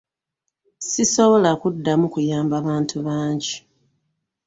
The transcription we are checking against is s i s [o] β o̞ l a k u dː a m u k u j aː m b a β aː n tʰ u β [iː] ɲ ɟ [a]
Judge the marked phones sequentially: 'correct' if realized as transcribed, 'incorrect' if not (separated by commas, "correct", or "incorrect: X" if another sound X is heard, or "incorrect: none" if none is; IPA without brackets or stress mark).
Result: correct, incorrect: aː, incorrect: i